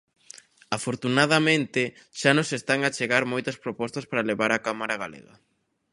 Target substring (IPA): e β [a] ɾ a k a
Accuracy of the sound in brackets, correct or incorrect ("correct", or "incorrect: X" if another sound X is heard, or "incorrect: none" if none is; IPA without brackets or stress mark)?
correct